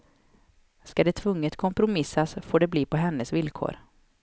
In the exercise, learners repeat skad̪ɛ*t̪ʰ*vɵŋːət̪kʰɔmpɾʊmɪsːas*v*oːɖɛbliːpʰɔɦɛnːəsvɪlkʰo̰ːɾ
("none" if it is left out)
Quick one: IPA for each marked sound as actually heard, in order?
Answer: t̪ʰ, f

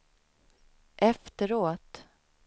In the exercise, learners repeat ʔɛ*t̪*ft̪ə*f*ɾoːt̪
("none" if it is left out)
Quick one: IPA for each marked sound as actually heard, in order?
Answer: none, none

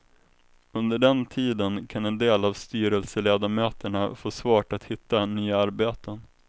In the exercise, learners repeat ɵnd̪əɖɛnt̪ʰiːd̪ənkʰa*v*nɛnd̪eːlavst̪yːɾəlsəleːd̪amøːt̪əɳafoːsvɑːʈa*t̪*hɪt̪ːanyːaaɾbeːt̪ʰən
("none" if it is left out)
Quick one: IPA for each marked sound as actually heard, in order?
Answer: none, t̪

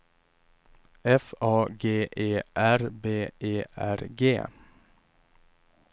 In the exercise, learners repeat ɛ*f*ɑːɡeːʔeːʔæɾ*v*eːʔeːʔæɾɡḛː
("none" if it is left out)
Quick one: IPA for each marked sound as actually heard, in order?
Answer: f, b

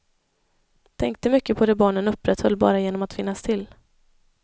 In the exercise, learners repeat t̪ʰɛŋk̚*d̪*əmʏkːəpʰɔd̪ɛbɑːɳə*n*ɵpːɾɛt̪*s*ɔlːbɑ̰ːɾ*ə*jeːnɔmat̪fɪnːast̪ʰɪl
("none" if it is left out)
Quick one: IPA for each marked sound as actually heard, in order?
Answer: t̪, n, h, a

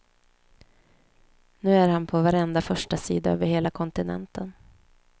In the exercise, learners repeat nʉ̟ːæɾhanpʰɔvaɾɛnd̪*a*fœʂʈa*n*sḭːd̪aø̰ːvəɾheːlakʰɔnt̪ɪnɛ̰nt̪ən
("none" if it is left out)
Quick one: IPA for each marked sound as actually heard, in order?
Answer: a, none

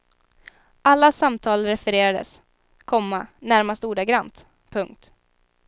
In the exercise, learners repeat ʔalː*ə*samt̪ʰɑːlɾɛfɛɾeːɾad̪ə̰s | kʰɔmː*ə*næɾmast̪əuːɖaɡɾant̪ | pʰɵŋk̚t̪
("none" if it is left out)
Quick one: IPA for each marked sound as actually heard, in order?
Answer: a, a

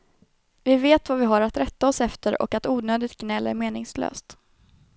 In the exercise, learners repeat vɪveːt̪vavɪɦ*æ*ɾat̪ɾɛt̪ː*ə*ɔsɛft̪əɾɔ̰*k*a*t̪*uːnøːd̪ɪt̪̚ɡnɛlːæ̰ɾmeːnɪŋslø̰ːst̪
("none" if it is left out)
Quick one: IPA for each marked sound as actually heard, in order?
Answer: a, a, k, t̪

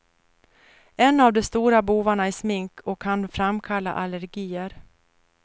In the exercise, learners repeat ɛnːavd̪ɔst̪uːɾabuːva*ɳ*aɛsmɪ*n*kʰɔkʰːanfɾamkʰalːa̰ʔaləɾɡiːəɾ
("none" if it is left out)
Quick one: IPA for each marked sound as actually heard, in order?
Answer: ɳ, ŋ

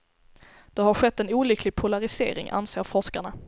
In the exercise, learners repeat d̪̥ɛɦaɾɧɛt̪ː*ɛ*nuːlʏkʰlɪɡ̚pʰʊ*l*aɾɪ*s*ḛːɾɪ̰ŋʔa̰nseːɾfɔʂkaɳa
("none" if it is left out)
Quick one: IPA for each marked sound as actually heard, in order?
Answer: ɛ, l, s

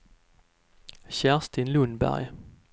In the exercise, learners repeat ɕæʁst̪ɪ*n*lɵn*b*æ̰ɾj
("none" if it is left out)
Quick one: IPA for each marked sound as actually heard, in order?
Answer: n, b

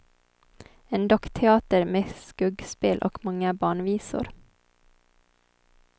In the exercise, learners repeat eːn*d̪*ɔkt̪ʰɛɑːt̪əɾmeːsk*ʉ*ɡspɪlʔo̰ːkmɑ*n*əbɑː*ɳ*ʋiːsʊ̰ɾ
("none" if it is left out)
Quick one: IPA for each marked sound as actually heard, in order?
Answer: d̪, ʉ, ŋ, ɳ

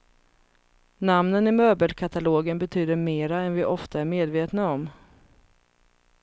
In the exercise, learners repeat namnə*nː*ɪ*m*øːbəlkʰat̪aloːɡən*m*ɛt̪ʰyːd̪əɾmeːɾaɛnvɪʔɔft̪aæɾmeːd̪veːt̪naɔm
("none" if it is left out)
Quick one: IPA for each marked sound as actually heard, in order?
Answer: n, m, b

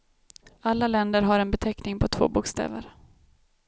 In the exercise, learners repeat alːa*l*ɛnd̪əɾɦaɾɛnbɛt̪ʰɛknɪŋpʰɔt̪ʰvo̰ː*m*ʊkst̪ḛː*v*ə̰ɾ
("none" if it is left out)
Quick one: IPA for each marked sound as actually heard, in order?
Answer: l, b, v

